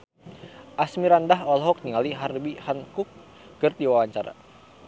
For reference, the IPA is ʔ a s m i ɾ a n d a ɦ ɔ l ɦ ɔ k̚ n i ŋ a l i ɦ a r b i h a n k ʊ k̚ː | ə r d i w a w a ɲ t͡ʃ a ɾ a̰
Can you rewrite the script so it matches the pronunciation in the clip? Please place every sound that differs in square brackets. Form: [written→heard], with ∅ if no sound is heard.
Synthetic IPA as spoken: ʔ a s m i ɾ a n d a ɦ ɔ l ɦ ɔ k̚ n i ŋ a l i ɦ a r b i h a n k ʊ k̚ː | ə r d i w a w a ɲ t͡ʃ a ɾ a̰

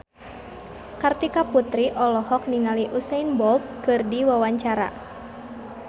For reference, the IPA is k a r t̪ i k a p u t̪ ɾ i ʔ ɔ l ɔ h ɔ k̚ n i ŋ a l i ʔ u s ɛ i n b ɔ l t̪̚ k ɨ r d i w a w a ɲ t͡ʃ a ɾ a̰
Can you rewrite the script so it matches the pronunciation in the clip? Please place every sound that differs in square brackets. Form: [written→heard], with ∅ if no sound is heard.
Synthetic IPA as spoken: k a r t̪ i k a p u t̪ ɾ i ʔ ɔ l ɔ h ɔ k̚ n i ŋ a l i ʔ u s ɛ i n b ɔ l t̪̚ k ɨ r d i w a w a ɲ t͡ʃ a ɾ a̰

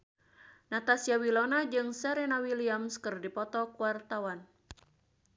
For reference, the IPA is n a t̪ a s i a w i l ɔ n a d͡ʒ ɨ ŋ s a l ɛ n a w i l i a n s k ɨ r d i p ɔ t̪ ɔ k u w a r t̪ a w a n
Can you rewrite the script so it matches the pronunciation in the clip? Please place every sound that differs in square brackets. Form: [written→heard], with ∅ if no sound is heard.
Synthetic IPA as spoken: n a t̪ a s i a w i l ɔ n a d͡ʒ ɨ ŋ s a [l→ɾ] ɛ n a w i l i a [n→m] s k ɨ r d i p ɔ t̪ ɔ k u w a r t̪ a w a n

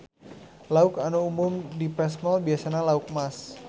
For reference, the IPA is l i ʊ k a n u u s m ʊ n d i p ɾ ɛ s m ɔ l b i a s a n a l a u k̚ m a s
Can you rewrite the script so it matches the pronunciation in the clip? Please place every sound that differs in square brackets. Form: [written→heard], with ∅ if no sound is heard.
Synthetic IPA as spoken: l [i→a] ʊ k a n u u [s→∅] m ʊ [n→m] d i p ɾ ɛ s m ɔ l b i a s a n a l a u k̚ m a s

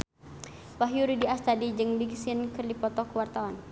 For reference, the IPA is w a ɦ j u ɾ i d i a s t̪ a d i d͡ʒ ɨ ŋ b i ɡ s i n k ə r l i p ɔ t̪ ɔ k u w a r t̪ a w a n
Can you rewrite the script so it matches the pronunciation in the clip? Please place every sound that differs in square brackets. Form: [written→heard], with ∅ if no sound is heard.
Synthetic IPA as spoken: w a ɦ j u ɾ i d i a s t̪ a d i d͡ʒ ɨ ŋ b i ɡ s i n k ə r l i p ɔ t̪ ɔ k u w a r t̪ a w a n

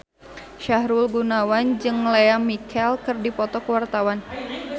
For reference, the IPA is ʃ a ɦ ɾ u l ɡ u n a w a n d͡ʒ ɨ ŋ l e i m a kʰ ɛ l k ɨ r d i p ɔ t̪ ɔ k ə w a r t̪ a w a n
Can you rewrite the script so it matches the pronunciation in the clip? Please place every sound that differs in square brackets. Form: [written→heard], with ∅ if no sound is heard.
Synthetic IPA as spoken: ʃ a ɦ ɾ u l ɡ u n a w a n d͡ʒ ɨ ŋ l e [i→a] m [a→i] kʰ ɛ l k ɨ r d i p ɔ t̪ ɔ k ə w a r t̪ a w a n

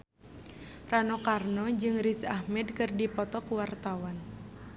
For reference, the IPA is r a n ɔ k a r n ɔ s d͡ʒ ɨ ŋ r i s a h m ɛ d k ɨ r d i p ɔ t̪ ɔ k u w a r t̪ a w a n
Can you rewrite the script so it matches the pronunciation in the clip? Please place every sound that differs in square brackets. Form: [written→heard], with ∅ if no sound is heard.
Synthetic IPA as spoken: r a n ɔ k a r n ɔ [s→∅] d͡ʒ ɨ ŋ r i s a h m ɛ d k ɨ r d i p ɔ t̪ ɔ k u w a r t̪ a w a n

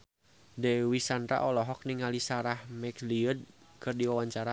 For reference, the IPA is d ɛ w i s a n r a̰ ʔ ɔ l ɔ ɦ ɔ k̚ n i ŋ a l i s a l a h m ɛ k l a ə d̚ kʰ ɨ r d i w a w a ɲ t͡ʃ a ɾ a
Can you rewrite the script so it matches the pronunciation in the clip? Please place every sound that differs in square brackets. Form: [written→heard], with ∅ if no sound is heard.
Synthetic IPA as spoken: d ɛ w i s a n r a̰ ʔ ɔ l ɔ ɦ ɔ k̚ n i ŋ a l i s a [l→ɾ] a h m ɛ k l [a→i] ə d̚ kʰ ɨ r d i w a w a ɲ t͡ʃ a ɾ a

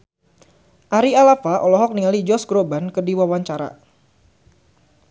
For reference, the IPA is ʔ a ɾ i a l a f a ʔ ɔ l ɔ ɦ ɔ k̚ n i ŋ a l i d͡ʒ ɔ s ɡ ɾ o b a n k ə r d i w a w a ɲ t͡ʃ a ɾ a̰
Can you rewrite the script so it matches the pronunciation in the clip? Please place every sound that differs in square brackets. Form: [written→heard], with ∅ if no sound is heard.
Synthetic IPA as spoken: ʔ a ɾ i a l a f a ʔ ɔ l ɔ ɦ ɔ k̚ n i ŋ a l i d͡ʒ ɔ s ɡ ɾ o b a n k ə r d i w a w a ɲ t͡ʃ a ɾ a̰

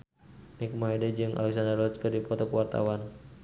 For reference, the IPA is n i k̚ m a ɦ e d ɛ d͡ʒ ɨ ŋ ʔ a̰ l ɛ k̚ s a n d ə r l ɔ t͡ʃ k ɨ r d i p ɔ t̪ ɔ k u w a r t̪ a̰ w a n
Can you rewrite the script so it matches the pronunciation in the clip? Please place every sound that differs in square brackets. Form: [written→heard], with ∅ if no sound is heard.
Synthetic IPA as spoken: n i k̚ m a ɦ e d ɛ d͡ʒ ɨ ŋ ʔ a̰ l ɛ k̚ s a n d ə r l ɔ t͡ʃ k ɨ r d i p ɔ t̪ ɔ k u w a r t̪ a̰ w a n

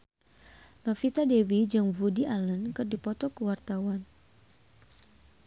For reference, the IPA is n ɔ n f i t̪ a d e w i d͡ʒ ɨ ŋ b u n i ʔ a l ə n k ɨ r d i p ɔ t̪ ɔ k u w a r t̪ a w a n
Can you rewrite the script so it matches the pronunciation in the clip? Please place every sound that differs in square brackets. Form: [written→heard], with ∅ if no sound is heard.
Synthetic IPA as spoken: n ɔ [n→∅] f i t̪ a d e w i d͡ʒ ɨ ŋ [b→v] u [n→d] i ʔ a l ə n k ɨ r d i p ɔ t̪ ɔ k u w a r t̪ a w a n

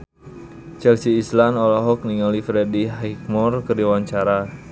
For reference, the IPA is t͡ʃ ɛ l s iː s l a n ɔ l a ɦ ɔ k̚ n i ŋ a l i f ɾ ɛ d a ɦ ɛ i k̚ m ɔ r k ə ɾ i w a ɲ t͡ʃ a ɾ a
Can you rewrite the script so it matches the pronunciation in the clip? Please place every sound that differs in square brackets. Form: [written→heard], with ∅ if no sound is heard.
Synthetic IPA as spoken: t͡ʃ ɛ l s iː s l a n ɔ l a ɦ ɔ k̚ n i ŋ a l i f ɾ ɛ d [a→i] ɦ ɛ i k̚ m ɔ r k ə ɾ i w a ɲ t͡ʃ a ɾ a

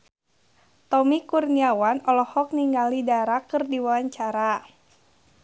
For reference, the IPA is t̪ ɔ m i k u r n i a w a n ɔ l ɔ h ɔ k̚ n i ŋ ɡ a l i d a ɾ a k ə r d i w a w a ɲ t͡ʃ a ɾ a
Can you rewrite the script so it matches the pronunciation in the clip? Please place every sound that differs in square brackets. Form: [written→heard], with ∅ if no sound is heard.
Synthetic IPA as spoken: t̪ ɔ m i k u r n i a w a n ɔ l ɔ h ɔ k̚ n i ŋ ɡ a l i d a ɾ a k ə r d i w a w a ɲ t͡ʃ a ɾ a

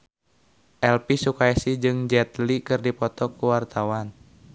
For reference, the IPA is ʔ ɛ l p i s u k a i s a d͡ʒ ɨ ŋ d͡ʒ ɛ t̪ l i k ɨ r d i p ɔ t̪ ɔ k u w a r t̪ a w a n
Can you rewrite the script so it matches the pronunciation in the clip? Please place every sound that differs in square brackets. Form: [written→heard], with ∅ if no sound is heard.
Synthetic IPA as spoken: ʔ ɛ l p i s u k a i s [a→i] d͡ʒ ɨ ŋ d͡ʒ ɛ t̪ l i k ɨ r d i p ɔ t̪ ɔ k u w a r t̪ a w a n

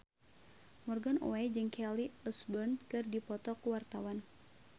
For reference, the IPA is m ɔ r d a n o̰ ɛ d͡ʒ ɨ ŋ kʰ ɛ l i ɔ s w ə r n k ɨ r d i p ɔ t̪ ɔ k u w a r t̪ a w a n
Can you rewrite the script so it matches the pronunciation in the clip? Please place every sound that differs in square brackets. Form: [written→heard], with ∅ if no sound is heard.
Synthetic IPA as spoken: m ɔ r [d→ɡ] a n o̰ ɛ d͡ʒ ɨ ŋ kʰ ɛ l i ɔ s [w→b] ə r n k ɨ r d i p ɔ t̪ ɔ k u w a r t̪ a w a n

